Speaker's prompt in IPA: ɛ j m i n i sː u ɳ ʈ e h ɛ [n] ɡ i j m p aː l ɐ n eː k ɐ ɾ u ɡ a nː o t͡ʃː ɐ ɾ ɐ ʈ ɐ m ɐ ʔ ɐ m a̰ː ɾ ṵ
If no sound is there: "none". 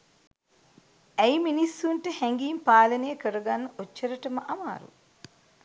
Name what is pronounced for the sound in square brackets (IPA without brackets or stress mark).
ŋ